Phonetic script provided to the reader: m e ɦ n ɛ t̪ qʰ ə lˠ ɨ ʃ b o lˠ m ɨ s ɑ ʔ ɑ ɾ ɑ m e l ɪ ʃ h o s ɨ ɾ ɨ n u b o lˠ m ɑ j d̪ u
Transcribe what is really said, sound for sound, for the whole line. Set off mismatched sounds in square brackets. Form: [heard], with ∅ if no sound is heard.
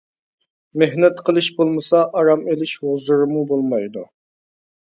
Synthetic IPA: m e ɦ n ɛ t̪ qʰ ə lˠ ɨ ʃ b o lˠ m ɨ s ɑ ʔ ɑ ɾ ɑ m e l ɪ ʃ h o [z] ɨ ɾ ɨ [m] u b o lˠ m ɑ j d̪ u